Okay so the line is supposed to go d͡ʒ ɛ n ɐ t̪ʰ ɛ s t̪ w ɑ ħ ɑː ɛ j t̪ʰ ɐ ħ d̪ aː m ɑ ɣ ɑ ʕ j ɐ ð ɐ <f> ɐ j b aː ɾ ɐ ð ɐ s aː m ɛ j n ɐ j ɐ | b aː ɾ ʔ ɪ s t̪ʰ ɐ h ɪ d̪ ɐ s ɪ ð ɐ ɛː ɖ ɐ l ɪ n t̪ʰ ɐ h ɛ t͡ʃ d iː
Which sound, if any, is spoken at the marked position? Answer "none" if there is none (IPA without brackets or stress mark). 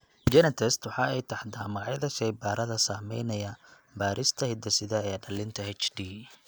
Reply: ʃ